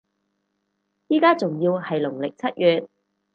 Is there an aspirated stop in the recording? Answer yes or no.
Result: yes